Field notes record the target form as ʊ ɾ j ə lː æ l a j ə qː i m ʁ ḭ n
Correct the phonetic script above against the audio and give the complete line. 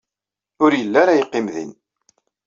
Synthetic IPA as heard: ʊ ɾ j ə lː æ ɾ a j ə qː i m ð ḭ n